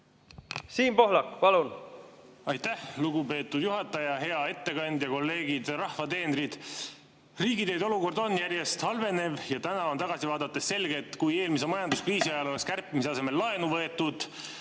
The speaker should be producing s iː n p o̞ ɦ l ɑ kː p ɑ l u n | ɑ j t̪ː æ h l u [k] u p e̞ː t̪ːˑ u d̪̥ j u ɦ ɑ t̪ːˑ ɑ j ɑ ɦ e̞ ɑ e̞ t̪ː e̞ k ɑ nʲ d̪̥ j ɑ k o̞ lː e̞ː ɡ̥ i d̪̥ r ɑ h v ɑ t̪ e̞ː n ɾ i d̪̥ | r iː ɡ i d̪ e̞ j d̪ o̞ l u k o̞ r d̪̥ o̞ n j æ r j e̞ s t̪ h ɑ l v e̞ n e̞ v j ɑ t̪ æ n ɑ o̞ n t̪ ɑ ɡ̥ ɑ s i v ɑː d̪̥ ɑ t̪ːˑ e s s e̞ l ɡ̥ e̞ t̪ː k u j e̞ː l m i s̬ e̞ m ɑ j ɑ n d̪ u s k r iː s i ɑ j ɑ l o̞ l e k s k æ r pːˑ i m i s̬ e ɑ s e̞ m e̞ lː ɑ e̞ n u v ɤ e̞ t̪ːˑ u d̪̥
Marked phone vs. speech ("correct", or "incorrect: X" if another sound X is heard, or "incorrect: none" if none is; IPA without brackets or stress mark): incorrect: ɡ